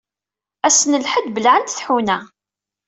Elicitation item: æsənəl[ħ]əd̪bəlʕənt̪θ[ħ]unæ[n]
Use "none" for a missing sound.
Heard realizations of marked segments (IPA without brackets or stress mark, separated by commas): ħ, ħ, none